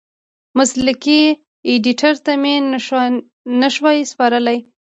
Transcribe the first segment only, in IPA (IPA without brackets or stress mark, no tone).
m